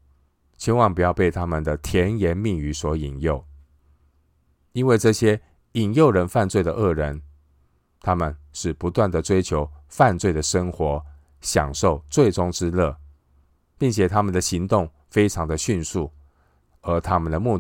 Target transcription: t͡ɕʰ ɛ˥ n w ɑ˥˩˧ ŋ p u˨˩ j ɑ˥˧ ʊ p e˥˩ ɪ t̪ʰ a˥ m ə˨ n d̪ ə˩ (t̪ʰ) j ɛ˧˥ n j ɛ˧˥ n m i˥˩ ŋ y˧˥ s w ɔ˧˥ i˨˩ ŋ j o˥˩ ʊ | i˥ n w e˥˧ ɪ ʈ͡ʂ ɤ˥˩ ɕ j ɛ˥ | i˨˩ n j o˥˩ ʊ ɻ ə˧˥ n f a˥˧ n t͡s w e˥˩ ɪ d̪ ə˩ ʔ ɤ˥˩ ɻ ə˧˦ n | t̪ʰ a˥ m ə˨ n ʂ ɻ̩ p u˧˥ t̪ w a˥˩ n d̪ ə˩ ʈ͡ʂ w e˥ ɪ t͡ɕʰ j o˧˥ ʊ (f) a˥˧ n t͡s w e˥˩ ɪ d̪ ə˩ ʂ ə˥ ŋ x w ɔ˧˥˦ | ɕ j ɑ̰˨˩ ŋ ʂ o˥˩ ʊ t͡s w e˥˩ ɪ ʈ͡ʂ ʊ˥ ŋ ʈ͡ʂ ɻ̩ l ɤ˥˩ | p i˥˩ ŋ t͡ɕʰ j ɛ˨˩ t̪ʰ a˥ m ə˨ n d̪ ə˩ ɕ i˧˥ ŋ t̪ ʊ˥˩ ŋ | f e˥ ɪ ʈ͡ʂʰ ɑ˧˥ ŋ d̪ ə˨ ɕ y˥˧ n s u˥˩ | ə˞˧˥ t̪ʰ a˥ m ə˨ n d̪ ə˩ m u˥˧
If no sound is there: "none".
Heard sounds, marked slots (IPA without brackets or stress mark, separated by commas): t̪ʰ, f